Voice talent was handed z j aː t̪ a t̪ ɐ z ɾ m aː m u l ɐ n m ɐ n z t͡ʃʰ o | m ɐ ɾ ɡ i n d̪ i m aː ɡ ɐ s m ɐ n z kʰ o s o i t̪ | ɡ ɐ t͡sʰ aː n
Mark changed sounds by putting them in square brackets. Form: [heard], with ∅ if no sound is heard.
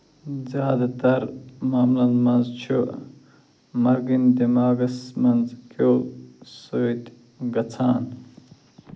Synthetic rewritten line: z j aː [d̪] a t̪ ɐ [∅] ɾ m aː m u l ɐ n m ɐ n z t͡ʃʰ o | m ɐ ɾ ɡ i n d̪ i m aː ɡ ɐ s m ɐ n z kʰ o s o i t̪ | ɡ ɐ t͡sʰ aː n